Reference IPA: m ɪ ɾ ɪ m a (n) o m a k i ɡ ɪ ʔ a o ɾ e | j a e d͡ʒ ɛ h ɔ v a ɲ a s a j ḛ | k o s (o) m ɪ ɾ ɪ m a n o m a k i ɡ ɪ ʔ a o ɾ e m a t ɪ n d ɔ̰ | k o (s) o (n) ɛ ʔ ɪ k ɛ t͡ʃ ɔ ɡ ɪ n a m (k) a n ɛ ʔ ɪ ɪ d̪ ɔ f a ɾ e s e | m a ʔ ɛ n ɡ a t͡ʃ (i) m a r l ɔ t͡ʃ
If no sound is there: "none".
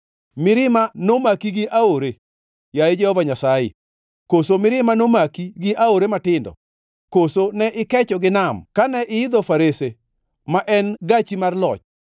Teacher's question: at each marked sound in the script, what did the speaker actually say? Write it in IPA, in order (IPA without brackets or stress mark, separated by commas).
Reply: n, o, s, n, k, i